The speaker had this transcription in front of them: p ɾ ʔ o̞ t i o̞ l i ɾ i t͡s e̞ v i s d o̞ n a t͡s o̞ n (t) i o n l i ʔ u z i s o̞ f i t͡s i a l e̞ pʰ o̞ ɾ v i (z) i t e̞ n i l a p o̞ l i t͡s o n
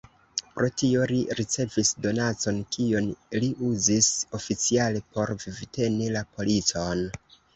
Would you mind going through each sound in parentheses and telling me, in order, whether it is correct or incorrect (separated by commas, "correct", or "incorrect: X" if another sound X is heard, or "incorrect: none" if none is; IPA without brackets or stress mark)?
incorrect: k, incorrect: v